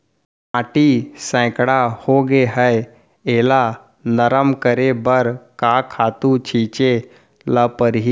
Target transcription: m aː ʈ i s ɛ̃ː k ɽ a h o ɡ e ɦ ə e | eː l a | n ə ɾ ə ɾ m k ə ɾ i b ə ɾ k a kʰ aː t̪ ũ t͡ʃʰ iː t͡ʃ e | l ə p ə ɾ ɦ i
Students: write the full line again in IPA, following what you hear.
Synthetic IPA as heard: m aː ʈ i s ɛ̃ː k ɽ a h o ɡ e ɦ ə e | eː l a | n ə ɾ ə m k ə ɾ e b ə ɾ k a kʰ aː t̪ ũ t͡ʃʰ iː t͡ʃ e | l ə p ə ɾ ɦ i